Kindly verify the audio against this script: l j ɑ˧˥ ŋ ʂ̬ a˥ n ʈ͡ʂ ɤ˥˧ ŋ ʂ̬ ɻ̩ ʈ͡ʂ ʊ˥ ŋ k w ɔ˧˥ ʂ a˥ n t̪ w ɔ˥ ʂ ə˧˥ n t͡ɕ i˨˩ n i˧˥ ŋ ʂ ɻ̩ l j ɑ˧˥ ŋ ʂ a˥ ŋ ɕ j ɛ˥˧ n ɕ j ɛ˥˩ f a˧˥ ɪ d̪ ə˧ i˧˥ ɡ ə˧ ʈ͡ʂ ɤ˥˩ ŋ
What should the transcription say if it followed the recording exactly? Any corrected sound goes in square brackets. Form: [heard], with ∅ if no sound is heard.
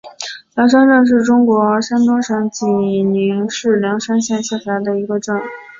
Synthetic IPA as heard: l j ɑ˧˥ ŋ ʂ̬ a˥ n ʈ͡ʂ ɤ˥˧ ŋ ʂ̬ ɻ̩ ʈ͡ʂ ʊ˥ ŋ k w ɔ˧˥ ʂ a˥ n t̪ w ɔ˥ ʂ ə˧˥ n t͡ɕ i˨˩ n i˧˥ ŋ ʂ ɻ̩ l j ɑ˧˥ ŋ ʂ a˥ [n] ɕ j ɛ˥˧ n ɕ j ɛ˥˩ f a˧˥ ɪ d̪ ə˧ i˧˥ ɡ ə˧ ʈ͡ʂ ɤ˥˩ ŋ